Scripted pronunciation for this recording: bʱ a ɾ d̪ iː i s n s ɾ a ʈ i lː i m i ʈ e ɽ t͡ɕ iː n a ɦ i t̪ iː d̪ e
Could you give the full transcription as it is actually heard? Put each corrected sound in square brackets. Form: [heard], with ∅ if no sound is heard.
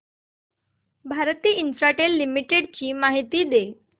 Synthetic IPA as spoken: bʱ a ɾ [t̪] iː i [∅] n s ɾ a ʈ [e] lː i m i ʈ e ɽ t͡ɕ iː [m] a ɦ i t̪ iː d̪ e